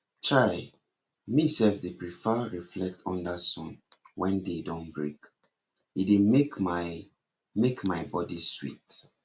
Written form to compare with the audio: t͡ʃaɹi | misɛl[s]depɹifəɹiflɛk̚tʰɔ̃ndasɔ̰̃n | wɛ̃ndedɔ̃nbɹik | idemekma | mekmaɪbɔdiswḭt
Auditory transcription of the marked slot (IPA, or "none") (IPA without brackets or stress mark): f